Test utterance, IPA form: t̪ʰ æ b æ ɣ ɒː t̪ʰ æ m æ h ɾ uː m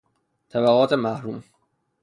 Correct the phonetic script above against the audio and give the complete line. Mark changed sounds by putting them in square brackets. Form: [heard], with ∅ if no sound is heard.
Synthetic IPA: t̪ʰ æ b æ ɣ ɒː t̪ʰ [e] m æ h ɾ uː m